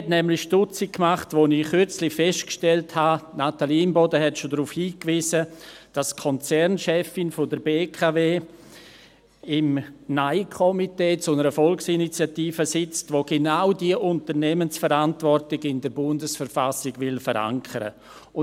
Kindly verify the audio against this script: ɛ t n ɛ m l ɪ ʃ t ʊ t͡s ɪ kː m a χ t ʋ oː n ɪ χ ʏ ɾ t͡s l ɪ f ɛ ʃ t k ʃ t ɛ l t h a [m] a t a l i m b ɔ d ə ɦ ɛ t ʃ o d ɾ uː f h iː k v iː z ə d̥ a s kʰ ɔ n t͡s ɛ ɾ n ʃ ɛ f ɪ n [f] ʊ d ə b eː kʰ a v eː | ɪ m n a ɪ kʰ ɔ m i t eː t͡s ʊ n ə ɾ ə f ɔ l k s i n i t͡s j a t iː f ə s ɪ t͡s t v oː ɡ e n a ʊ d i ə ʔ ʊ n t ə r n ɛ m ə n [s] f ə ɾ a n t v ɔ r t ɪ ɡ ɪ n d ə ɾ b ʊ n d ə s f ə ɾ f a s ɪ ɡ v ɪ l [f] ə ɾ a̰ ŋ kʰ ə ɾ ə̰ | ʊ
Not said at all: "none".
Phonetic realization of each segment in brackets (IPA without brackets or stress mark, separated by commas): n, f, s, f